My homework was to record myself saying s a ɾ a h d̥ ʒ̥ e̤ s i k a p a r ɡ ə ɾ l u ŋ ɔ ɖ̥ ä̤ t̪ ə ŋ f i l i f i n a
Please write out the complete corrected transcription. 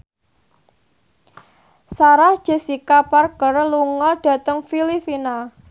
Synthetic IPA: s a ɾ a h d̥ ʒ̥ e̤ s i k a p a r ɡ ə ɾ l u ŋ ɔ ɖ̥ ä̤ t̪ ə ŋ f i l i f i n a